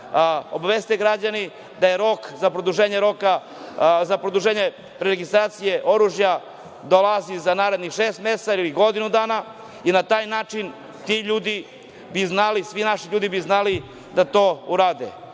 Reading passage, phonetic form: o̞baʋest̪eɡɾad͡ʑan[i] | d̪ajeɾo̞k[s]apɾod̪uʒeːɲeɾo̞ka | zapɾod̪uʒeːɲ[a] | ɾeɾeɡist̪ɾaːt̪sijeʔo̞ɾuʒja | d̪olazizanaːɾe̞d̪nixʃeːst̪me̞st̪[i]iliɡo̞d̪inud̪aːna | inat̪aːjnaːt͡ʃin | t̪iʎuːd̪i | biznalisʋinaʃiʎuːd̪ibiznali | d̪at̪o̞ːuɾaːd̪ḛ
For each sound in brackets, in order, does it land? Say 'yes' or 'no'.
yes, no, no, no

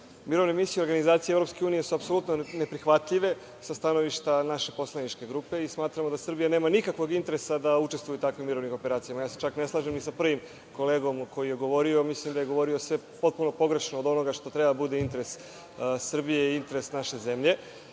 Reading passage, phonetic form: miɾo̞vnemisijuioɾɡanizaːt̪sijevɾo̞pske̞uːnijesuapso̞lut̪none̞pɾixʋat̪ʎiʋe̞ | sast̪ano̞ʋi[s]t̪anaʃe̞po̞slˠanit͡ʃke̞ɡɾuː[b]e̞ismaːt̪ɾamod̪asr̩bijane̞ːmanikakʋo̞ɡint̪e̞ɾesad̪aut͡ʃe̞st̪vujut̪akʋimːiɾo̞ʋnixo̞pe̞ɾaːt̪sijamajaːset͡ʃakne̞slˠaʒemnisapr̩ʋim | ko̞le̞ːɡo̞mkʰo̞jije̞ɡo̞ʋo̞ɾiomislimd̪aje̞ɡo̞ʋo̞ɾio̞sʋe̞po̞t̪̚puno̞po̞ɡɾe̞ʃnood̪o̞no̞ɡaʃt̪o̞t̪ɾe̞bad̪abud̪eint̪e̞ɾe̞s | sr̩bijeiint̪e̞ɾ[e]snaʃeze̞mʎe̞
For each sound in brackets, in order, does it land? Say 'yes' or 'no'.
no, no, yes

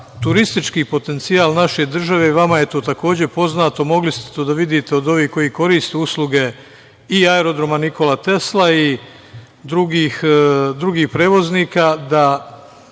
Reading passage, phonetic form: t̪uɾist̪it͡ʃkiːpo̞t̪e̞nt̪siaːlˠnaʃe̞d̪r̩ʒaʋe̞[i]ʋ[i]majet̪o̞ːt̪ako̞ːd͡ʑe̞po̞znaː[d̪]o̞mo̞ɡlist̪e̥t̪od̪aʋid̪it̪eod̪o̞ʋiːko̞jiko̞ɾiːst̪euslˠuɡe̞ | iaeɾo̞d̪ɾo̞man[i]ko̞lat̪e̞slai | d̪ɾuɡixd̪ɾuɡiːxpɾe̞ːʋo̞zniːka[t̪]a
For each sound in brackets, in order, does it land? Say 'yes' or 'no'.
yes, no, no, yes, no

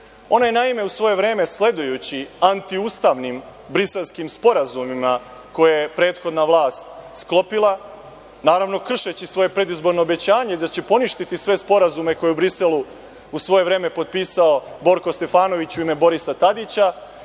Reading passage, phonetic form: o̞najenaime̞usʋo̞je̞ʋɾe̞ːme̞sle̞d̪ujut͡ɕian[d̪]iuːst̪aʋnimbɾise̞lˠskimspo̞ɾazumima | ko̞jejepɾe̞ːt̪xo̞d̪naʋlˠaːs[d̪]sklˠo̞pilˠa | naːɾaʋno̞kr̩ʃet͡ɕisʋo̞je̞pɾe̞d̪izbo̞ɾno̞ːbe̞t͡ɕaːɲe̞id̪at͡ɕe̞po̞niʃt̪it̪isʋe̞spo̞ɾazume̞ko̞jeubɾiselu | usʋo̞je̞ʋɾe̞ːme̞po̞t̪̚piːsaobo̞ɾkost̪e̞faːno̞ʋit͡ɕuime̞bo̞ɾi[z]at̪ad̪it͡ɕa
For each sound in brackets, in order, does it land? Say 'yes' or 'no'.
no, no, no

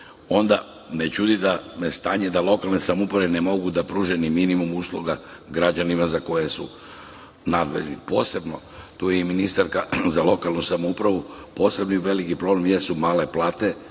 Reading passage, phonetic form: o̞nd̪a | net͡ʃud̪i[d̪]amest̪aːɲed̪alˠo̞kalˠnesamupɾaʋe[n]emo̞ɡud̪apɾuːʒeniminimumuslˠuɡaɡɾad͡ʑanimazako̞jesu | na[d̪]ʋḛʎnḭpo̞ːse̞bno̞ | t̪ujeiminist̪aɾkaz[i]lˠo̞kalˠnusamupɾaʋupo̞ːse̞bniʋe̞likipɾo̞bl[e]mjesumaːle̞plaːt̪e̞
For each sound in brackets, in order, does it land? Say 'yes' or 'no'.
yes, yes, yes, no, yes

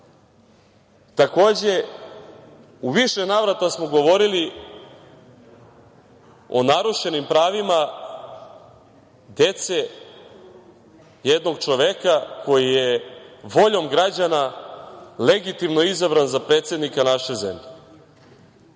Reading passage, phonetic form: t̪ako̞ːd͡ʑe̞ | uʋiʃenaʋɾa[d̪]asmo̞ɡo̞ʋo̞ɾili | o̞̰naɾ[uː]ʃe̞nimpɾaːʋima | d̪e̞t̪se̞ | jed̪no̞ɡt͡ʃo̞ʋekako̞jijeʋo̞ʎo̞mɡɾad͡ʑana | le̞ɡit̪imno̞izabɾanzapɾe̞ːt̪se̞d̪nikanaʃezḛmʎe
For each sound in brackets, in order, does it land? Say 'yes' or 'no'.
no, no

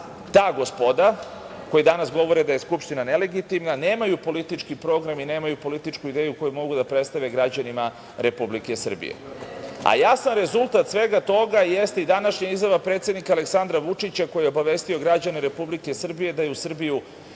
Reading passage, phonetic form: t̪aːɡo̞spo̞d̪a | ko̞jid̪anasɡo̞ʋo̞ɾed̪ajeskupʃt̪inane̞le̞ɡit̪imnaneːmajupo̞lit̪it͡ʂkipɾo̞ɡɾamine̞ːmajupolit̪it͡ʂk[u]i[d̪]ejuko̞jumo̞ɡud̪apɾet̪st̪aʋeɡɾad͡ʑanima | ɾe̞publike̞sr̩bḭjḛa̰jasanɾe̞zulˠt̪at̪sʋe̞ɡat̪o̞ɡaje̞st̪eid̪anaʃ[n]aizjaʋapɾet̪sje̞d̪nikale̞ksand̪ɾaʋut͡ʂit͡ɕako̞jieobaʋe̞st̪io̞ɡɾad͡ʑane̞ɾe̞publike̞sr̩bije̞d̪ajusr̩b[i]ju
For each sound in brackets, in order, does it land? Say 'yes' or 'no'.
yes, yes, no, yes

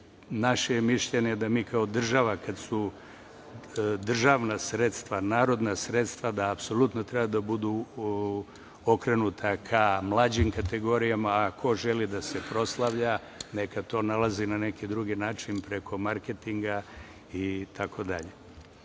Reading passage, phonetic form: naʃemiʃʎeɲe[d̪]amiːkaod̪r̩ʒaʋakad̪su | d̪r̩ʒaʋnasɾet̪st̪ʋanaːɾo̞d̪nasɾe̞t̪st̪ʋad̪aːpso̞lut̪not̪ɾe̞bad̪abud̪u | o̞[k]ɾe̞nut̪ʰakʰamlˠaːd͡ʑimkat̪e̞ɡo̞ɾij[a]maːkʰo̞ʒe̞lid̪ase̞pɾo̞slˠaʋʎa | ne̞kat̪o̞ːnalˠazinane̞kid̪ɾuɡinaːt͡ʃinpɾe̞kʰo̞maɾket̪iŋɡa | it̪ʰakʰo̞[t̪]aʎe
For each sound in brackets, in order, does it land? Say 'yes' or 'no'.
yes, yes, yes, no

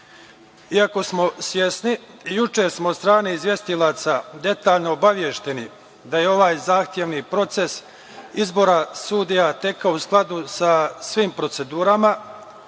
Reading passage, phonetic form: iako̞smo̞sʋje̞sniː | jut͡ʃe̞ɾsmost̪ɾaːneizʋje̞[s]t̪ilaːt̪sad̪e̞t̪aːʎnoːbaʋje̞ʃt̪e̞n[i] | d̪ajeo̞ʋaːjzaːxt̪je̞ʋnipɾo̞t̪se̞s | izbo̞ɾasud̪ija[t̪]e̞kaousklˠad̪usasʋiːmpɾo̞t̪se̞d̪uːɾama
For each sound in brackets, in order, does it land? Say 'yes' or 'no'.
yes, yes, yes

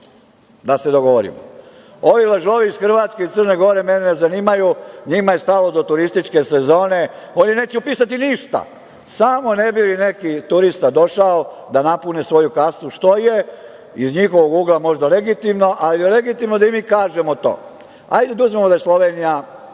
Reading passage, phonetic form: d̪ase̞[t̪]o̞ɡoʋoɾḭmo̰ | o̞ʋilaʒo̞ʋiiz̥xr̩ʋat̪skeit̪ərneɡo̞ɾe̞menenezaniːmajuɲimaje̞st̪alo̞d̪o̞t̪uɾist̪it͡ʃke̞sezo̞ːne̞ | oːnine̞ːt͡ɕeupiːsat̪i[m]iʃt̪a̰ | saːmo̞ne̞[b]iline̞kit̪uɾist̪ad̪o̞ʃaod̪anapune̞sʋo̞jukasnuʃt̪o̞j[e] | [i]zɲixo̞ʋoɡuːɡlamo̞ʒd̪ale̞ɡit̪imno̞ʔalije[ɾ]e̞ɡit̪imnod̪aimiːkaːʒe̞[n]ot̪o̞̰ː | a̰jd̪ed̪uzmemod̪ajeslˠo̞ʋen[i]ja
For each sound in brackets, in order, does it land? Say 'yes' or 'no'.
no, no, yes, yes, yes, no, no, yes

